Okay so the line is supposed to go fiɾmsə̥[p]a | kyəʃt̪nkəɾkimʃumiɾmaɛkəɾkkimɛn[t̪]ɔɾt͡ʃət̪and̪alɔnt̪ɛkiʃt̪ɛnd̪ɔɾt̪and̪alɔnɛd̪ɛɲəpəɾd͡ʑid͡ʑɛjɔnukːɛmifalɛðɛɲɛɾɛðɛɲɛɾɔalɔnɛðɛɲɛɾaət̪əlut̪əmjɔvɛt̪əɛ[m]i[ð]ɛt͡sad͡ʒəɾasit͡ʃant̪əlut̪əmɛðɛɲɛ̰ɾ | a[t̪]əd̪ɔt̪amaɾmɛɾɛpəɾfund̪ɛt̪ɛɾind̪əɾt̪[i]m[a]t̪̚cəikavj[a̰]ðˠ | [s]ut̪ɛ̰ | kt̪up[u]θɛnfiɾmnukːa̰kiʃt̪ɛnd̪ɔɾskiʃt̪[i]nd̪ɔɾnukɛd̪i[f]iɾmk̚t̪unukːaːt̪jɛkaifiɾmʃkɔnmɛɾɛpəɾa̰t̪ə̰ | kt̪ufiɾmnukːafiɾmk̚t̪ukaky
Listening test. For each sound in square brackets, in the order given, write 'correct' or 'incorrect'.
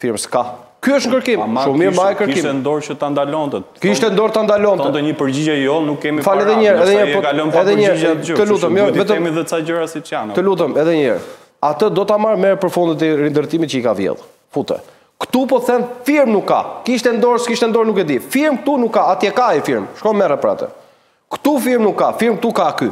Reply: incorrect, incorrect, correct, correct, correct, correct, incorrect, incorrect, incorrect, incorrect, incorrect, correct

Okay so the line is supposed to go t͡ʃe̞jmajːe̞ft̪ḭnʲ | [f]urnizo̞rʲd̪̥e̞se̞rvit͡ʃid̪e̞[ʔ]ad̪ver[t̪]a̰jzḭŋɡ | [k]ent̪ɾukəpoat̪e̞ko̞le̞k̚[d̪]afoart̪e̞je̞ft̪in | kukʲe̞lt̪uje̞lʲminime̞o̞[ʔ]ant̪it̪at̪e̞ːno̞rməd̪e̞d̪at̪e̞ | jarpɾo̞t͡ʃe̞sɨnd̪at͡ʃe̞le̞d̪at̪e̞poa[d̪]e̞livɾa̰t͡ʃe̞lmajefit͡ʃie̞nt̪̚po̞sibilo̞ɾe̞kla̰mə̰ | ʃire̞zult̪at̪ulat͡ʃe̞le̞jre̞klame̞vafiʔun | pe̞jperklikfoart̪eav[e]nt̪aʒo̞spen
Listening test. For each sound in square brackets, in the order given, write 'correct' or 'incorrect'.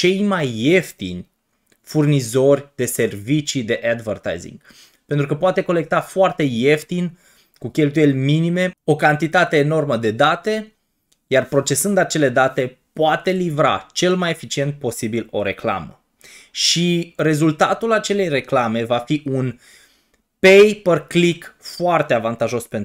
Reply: correct, correct, correct, incorrect, incorrect, incorrect, incorrect, incorrect

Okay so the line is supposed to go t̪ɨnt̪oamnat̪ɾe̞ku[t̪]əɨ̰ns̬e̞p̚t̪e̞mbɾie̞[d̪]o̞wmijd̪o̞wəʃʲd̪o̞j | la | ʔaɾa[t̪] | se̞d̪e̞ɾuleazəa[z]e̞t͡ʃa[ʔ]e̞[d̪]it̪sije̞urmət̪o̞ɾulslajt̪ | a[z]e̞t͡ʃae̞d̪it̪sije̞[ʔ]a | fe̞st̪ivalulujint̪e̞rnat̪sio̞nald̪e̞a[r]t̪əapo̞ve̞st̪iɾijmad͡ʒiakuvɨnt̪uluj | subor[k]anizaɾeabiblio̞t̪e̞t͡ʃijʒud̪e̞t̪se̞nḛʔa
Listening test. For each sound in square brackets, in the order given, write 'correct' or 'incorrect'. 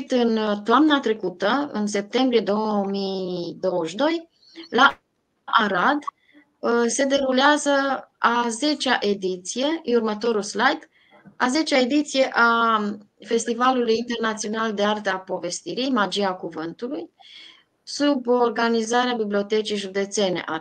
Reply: correct, correct, incorrect, correct, correct, correct, correct, correct, correct, incorrect

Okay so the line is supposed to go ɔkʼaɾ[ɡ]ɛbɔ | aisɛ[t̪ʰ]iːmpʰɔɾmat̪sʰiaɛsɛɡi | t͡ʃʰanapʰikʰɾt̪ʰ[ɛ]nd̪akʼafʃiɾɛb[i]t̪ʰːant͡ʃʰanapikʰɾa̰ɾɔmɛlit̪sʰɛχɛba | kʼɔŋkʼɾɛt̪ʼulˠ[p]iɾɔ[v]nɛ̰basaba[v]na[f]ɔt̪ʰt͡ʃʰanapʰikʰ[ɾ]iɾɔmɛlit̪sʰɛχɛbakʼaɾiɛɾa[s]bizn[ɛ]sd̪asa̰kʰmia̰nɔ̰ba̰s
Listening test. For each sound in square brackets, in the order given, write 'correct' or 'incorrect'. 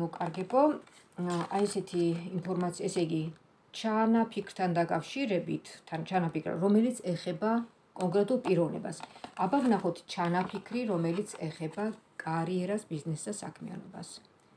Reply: correct, correct, incorrect, correct, incorrect, correct, correct, incorrect, correct, correct, correct

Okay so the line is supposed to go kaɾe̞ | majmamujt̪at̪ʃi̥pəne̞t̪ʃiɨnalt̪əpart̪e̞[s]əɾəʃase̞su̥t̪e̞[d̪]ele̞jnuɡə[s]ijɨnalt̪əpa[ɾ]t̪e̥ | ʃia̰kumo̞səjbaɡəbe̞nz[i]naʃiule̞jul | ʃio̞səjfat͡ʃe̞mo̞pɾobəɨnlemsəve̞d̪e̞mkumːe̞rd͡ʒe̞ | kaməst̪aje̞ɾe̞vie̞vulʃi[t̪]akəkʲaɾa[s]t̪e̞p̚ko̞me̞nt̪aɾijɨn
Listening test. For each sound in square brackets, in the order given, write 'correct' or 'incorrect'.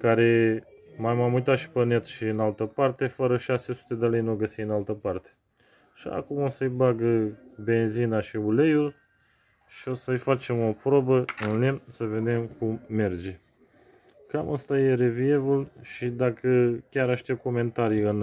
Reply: incorrect, correct, correct, incorrect, correct, incorrect, incorrect

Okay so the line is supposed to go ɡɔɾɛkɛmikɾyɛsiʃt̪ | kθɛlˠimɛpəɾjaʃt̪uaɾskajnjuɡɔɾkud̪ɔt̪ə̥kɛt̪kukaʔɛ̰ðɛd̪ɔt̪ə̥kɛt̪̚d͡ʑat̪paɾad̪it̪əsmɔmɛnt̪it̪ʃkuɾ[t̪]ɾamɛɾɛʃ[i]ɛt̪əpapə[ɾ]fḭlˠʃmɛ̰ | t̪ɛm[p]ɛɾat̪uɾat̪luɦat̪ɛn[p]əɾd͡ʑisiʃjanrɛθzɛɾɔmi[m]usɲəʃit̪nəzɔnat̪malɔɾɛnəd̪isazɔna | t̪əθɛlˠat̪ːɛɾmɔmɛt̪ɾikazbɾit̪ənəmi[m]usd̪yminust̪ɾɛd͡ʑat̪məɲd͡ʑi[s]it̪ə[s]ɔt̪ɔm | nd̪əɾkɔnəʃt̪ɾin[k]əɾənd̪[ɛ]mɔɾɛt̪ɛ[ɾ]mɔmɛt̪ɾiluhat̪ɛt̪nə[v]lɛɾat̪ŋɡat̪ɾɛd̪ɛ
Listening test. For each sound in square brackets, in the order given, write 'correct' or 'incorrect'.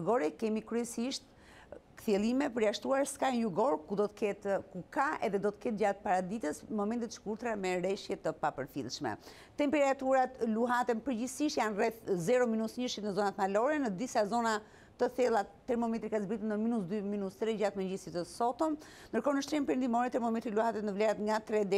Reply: correct, incorrect, correct, correct, correct, incorrect, incorrect, correct, correct, incorrect, incorrect, correct, correct

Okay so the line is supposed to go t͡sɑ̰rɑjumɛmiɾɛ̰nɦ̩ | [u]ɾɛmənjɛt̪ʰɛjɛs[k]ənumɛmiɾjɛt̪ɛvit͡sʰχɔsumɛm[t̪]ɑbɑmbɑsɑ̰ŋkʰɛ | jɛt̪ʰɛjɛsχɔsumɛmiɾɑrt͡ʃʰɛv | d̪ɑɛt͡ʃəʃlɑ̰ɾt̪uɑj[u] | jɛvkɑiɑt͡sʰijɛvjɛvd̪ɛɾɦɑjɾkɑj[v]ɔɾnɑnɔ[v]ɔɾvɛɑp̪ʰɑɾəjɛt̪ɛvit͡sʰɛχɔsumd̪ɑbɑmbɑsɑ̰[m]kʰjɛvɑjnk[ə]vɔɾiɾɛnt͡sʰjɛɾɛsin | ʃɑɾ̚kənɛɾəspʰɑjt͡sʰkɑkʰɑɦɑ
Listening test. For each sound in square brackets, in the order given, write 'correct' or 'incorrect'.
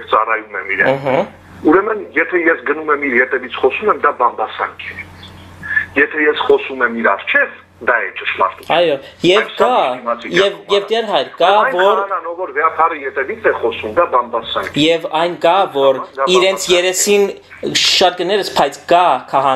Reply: correct, incorrect, incorrect, incorrect, correct, correct, incorrect, incorrect

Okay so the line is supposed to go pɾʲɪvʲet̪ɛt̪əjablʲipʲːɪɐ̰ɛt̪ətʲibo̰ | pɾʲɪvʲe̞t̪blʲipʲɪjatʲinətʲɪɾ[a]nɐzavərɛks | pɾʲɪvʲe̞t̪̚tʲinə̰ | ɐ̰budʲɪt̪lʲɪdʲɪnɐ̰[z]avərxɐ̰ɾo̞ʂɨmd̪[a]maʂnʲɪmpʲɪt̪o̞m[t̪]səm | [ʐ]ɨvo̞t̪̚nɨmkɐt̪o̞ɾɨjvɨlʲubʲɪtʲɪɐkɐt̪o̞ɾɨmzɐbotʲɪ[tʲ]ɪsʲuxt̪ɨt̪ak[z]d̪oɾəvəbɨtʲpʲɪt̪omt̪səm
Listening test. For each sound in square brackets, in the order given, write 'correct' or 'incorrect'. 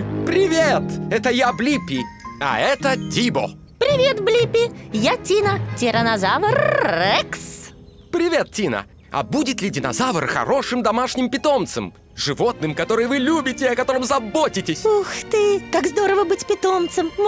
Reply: incorrect, correct, incorrect, correct, correct, correct, correct

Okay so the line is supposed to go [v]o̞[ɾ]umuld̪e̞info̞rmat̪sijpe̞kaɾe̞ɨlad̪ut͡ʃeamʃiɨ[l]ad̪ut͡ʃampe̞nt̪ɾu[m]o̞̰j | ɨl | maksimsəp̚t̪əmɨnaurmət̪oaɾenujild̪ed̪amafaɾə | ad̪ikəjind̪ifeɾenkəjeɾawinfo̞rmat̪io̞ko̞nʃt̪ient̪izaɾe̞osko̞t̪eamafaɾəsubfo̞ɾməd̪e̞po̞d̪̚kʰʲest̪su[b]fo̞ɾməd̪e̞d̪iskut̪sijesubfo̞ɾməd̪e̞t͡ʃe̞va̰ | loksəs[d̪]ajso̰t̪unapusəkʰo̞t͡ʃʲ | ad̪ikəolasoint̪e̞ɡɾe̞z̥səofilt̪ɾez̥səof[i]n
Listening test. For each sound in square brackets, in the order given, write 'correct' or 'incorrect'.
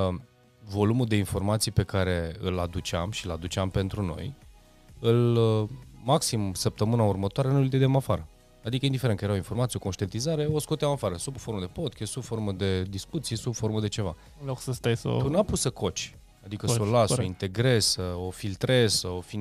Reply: correct, incorrect, correct, incorrect, correct, incorrect, correct

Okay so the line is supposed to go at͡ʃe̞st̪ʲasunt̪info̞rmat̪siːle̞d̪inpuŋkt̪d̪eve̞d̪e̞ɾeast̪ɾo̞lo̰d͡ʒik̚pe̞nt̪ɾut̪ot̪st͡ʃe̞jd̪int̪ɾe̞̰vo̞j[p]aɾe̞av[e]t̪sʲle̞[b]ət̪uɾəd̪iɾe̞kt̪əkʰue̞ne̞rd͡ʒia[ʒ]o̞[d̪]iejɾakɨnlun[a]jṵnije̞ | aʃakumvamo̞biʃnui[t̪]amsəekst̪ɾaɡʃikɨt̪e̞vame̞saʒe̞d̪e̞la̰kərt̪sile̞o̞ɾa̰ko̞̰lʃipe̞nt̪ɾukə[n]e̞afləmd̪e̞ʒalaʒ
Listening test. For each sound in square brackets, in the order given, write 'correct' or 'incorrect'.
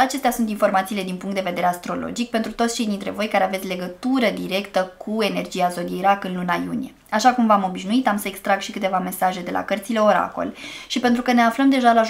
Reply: incorrect, correct, incorrect, incorrect, correct, correct, correct, correct

